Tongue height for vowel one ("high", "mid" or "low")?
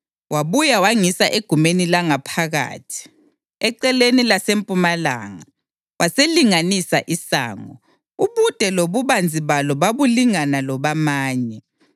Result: low